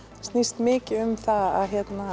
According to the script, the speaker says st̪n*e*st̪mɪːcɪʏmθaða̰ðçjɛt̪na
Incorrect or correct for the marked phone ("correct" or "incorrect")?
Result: incorrect